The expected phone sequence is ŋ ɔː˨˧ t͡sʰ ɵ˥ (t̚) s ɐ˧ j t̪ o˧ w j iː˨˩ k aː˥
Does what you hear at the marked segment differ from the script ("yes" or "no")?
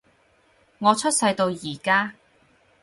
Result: no